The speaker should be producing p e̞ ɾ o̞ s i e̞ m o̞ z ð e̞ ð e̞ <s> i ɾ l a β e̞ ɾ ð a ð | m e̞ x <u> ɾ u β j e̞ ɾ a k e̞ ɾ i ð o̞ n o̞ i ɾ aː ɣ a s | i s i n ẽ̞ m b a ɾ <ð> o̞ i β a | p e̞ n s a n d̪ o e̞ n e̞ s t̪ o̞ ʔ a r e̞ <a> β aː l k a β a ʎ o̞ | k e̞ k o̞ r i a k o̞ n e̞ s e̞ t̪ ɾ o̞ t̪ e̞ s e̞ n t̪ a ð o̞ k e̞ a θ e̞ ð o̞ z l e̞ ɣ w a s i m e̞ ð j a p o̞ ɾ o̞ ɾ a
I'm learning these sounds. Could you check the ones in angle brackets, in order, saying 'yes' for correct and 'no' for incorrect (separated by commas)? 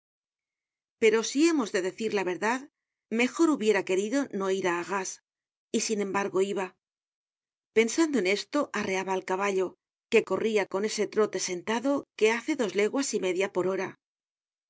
no, no, no, yes